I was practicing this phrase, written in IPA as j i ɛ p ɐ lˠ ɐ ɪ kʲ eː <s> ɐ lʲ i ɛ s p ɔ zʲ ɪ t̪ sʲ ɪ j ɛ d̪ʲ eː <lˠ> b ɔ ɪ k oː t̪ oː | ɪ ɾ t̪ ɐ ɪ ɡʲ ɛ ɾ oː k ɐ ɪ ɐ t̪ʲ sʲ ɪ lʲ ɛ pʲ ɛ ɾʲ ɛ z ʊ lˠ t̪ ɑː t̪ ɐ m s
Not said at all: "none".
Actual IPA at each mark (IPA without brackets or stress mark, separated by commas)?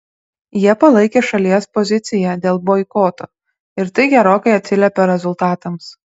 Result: ʃ, lˠ